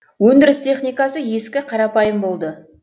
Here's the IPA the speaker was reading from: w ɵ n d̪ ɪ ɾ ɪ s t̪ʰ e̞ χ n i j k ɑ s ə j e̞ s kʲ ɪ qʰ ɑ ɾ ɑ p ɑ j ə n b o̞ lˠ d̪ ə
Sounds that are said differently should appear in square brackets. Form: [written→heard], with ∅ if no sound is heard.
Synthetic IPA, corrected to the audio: w ɵ n d̪ ɪ ɾ ɪ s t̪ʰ e̞ χ n i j k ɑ s ə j e̞ s kʲ ɪ qʰ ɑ ɾ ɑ p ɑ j ə [n→m] b o̞ lˠ d̪ ə

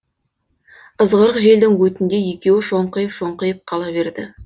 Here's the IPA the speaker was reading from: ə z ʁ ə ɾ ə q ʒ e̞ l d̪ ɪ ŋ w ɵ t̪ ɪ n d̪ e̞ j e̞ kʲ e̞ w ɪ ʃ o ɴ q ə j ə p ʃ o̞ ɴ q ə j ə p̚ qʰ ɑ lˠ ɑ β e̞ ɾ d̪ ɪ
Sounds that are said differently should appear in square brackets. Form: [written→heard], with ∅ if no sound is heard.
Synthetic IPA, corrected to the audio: ə z ʁ ə ɾ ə q ʒ e̞ l d̪ ɪ ŋ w ɵ t̪ ɪ n d̪ e̞ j e̞ kʲ e̞ w ɪ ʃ o ɴ q ə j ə p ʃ o̞ ɴ q ə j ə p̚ qʰ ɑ lˠ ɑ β e̞ ɾ d̪ ɪ

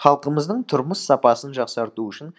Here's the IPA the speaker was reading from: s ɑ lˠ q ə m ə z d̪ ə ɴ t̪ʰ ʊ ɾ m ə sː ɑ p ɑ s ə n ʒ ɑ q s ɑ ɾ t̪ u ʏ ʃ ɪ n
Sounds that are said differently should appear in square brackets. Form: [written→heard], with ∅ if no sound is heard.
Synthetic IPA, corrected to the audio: [s→χ] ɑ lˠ q ə m ə z d̪ ə ɴ t̪ʰ ʊ ɾ m ə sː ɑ p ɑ s ə n ʒ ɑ q s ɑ ɾ t̪ u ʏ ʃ ɪ n

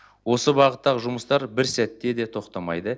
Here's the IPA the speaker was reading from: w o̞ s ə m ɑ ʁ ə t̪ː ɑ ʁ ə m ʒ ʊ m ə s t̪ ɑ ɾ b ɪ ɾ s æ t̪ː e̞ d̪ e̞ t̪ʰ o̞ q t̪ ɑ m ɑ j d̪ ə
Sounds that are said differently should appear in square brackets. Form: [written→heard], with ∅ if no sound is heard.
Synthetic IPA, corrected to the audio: w o̞ s ə [m→b] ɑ ʁ ə t̪ː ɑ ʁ ə [m→∅] ʒ ʊ m ə s t̪ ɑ ɾ b ɪ ɾ s æ t̪ː e̞ d̪ e̞ t̪ʰ o̞ q t̪ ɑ m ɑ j d̪ ə

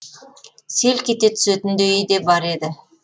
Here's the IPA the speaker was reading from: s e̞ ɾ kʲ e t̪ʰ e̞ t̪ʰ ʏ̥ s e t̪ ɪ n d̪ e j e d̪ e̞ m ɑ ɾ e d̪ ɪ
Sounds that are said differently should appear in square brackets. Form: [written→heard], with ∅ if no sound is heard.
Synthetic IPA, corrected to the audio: s e̞ [ɾ→l] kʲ e [t̪ʰ→t̪] e̞ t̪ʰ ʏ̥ s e t̪ ɪ n d̪ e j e d̪ e̞ [m→b] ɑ ɾ e d̪ ɪ

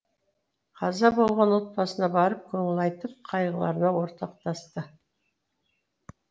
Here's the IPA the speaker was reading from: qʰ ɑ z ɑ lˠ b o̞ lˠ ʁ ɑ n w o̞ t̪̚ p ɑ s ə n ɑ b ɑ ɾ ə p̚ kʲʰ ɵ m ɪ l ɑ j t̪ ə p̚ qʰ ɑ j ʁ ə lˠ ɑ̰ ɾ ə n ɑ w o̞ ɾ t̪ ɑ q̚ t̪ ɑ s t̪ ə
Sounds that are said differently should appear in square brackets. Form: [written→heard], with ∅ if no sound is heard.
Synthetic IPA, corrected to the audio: qʰ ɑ z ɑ [lˠ→∅] b o̞ lˠ ʁ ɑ n w o̞ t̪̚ p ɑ s ə n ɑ b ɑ ɾ ə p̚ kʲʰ ɵ [m→ŋ] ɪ l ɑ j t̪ ə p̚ qʰ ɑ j ʁ ə lˠ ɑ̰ ɾ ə n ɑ w o̞ ɾ t̪ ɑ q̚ t̪ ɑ s t̪ ə

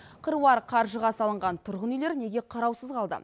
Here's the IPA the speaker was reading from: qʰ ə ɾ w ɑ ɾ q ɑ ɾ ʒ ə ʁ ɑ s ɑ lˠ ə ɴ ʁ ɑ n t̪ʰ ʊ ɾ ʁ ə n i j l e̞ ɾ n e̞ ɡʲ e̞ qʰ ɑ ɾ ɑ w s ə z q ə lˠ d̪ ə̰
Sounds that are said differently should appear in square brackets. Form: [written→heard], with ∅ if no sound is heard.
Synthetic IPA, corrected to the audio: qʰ ə ɾ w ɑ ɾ [q→qʰ] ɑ ɾ ʒ ə ʁ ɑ s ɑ lˠ ə ɴ ʁ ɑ n t̪ʰ ʊ ɾ ʁ ə n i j l e̞ ɾ n e̞ ɡʲ e̞ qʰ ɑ ɾ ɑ w s ə z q [ə→ɑ] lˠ d̪ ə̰

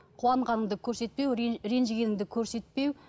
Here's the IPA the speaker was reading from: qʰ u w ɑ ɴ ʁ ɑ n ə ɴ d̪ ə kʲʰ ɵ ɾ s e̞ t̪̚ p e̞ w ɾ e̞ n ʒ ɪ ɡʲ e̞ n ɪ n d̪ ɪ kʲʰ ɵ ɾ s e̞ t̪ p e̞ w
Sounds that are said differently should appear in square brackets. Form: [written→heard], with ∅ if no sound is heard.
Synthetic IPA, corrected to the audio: qʰ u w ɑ ɴ ʁ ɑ n ə ɴ d̪ ə kʲʰ ɵ ɾ s e̞ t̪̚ p e̞ w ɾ e̞ n ʒ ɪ ɡʲ e̞ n ɪ [n→ŋ] d̪ ɪ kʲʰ ɵ ɾ s e̞ t̪ p e̞ w

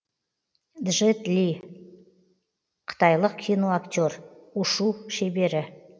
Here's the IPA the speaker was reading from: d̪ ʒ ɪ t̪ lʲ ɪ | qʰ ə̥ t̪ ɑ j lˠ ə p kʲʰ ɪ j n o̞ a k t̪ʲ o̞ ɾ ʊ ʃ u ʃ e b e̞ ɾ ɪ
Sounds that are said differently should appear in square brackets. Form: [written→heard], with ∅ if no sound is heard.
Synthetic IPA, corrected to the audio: d̪ ʒ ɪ t̪ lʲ [ɪ→i] | qʰ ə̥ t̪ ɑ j lˠ ə [p→q] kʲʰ [ɪ→i] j n o̞ a k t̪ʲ o̞ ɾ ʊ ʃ u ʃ e b e̞ ɾ ɪ

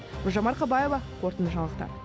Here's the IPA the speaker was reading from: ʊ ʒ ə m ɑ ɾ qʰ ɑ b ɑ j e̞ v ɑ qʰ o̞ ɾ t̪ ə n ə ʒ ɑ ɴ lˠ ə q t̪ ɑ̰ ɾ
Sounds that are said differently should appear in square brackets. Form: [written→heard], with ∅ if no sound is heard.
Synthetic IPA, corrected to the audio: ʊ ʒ [ə→ɑ] m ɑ ɾ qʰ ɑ b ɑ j e̞ v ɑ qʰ o̞ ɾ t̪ ə n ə ʒ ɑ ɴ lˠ ə q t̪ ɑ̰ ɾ

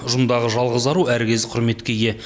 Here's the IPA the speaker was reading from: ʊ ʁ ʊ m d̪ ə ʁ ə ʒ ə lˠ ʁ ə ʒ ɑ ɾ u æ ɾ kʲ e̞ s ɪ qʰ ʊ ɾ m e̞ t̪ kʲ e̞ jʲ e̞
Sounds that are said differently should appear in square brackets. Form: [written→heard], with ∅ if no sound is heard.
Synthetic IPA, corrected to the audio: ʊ [ʁ→ʒ] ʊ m d̪ [ə→ɑ] ʁ ə ʒ [ə→ɑ] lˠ ʁ ə [ʒ→z] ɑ ɾ u æ ɾ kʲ e̞ [s→z] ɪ qʰ ʊ ɾ m e̞ t̪ kʲ e̞ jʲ e̞

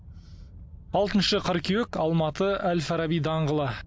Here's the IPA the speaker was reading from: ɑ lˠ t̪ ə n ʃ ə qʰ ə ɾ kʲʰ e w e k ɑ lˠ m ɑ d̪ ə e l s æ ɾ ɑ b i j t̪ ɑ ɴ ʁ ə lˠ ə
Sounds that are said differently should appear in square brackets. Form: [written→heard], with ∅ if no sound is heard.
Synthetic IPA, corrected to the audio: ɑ lˠ t̪ ə n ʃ ə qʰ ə ɾ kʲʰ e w e k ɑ lˠ m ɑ [d̪→t̪] ə [e→æ] l [s→f] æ ɾ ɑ b i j [t̪→d̪] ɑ ɴ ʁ ə lˠ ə

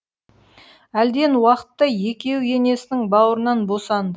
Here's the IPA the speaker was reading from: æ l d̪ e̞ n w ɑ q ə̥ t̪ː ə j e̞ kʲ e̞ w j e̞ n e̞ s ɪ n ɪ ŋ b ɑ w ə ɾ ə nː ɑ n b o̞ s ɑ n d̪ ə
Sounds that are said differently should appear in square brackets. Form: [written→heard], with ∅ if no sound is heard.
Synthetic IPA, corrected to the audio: æ l d̪ e̞ n w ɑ q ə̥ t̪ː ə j e̞ kʲ e̞ w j e̞ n e̞ s ɪ n ɪ ŋ b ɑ w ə ɾ ə [nː→n] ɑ n b o̞ s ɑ n d̪ ə

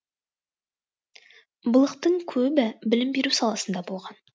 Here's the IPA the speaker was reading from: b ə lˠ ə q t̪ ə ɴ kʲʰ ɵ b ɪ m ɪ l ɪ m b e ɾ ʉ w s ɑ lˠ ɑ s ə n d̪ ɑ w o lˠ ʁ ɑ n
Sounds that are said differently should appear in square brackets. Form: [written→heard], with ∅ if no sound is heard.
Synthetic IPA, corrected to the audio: b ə lˠ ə q t̪ ə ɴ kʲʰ ɵ b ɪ [m→b] ɪ l ɪ m b e ɾ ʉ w s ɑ lˠ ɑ s ə n d̪ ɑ [w→b] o lˠ ʁ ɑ n

